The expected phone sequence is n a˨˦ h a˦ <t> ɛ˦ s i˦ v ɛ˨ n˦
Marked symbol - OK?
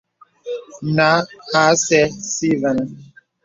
no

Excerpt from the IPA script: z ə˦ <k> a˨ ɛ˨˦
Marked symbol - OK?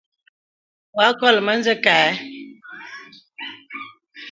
yes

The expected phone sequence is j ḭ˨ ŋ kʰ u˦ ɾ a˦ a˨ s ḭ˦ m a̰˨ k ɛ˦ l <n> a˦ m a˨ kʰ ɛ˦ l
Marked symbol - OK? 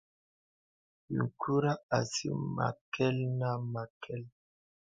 yes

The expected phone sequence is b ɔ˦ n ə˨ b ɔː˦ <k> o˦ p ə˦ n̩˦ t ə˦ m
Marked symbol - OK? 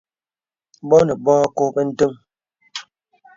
yes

